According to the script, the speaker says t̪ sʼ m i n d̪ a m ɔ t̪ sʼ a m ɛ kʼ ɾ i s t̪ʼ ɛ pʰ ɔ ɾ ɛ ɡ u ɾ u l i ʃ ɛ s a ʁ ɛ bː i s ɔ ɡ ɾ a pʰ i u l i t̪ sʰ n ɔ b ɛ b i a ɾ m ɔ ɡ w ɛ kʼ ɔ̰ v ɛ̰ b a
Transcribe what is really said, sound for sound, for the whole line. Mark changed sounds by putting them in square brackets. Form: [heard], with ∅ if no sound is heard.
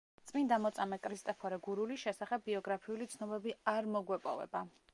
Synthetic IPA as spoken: t̪ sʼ m i n d̪ a m ɔ t̪ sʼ a m ɛ kʼ ɾ i s t̪ʼ ɛ pʰ ɔ ɾ ɛ ɡ u ɾ u l i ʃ ɛ s a [χ] ɛ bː i [∅] ɔ ɡ ɾ a pʰ i u l i t̪ sʰ n ɔ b ɛ b i a ɾ m ɔ ɡ w ɛ [pʼ] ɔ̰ v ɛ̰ b a